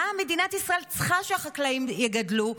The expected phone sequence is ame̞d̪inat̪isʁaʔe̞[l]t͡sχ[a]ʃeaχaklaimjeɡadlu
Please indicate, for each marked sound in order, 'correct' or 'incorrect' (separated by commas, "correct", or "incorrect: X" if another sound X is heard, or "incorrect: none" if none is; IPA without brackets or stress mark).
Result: correct, correct